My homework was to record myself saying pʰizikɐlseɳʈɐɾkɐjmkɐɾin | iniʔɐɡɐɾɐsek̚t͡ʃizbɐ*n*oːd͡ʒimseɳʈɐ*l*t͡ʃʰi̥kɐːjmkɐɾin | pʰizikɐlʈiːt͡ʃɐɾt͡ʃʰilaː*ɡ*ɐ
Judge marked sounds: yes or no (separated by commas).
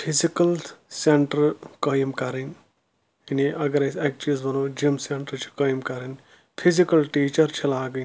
yes, no, yes